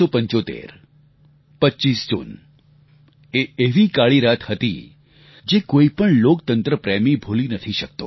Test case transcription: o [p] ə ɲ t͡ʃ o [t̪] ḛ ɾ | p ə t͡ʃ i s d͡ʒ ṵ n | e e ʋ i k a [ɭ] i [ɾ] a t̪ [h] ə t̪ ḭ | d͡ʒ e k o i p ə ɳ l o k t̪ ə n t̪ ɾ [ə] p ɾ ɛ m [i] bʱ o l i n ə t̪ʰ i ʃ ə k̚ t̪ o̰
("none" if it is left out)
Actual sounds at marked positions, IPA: p, t̪, ɭ, ɾ, h, ə, i

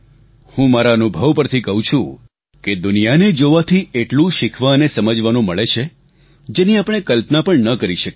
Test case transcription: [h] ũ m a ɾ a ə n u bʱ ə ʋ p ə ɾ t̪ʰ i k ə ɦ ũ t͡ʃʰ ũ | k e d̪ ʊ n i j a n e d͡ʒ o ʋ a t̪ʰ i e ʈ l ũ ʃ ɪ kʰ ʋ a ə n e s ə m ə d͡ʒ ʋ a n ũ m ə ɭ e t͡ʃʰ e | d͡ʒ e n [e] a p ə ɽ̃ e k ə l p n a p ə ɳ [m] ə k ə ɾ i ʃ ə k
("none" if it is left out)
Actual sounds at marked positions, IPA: h, i, n

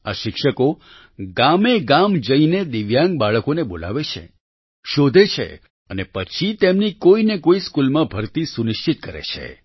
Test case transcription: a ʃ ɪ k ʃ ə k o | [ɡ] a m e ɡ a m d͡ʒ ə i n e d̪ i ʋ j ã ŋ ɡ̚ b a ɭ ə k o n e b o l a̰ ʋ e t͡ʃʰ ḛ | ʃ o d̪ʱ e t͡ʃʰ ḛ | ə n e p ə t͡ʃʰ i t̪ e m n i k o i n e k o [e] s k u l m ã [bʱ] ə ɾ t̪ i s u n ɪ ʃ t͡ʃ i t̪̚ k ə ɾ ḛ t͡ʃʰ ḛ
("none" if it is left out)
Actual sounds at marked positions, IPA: ɡ, i, bʱ

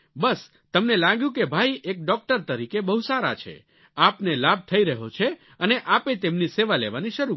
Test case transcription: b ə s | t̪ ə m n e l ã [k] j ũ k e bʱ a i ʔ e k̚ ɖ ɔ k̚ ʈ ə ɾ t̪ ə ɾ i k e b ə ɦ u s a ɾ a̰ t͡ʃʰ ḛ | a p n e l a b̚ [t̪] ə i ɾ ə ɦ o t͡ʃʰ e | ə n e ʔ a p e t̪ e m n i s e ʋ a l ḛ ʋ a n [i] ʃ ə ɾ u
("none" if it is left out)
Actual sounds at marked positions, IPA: ɡ, t̪ʰ, i

